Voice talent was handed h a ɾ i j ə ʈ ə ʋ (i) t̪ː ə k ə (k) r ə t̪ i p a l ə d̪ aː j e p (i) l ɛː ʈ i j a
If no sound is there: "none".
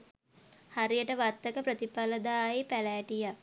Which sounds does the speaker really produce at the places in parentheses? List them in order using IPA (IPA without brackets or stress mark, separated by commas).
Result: a, p, æ